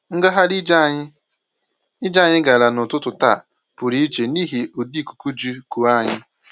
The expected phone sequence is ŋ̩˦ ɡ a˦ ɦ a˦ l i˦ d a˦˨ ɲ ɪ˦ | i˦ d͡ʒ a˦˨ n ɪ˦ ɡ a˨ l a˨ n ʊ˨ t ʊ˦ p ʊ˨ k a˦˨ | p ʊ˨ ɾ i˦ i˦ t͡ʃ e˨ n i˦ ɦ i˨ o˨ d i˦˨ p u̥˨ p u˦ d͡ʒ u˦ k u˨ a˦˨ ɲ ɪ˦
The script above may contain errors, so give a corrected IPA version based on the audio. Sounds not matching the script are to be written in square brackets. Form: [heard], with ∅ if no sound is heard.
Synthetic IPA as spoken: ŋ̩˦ ɡ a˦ ɦ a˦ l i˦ [d͡ʒ] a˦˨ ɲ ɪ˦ | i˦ d͡ʒ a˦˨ [ɲ] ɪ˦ ɡ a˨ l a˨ n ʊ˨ t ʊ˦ [t] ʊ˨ [t] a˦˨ | p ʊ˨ ɾ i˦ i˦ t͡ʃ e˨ n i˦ ɦ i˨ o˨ d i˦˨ [k] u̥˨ [k] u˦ d͡ʒ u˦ k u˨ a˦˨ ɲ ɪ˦